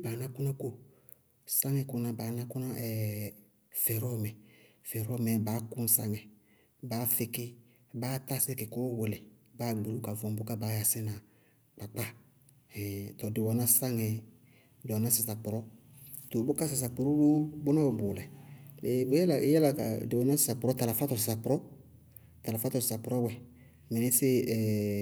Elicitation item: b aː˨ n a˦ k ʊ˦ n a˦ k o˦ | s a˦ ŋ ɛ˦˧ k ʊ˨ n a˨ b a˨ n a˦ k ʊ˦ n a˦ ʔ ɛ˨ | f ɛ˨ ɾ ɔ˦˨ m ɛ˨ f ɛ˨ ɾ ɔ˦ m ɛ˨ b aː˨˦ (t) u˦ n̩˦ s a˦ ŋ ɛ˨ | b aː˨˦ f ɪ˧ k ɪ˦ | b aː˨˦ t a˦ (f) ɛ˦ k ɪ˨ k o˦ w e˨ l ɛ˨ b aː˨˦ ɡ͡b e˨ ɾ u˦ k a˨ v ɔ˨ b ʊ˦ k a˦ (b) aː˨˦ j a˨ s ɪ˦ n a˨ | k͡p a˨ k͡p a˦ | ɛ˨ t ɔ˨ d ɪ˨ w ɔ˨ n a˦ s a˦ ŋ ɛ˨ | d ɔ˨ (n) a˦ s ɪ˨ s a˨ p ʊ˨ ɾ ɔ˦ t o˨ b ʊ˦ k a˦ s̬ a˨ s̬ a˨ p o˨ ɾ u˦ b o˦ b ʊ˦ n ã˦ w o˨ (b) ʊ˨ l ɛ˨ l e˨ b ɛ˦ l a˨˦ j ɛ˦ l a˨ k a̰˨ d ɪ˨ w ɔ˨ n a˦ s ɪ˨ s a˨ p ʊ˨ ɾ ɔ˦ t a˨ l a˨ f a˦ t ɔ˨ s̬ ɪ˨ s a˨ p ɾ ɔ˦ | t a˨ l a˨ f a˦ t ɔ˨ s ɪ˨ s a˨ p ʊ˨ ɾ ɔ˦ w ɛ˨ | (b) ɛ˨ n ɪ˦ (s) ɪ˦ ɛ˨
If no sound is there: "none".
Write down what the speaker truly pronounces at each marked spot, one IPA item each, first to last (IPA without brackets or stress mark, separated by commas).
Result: k, s, b, n, b, m, s